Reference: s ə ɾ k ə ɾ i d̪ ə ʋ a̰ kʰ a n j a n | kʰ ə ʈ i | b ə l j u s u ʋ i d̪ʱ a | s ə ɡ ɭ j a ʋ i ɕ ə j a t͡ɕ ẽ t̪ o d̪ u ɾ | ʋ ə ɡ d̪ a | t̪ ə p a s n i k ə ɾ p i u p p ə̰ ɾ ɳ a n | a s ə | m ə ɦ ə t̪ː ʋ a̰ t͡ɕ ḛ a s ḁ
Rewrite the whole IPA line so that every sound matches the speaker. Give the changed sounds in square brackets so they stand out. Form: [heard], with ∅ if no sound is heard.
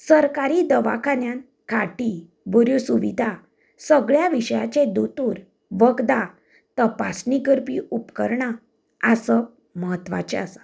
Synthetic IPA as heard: s ə ɾ k [a] ɾ i d̪ ə ʋ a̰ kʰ a n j a n | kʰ [a] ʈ i | b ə [ɾ] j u s u ʋ i d̪ʱ a | s ə ɡ ɭ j a ʋ i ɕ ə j a t͡ɕ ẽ [d̪] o [t̪] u ɾ | ʋ ə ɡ d̪ a | t̪ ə p a s n i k ə ɾ p i u p [k] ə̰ ɾ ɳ a [∅] | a s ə | m ə ɦ ə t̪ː ʋ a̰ t͡ɕ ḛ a s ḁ